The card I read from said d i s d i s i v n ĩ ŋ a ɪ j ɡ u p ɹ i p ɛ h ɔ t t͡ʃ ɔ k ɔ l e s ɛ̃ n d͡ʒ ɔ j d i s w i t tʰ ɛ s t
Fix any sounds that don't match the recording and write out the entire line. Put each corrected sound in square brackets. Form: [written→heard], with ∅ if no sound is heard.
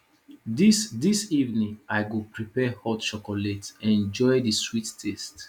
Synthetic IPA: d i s d i s i v n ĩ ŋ a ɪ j ɡ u p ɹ i p ɛ h ɔ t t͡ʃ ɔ k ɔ l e [s→t] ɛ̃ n d͡ʒ ɔ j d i s w i t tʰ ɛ s t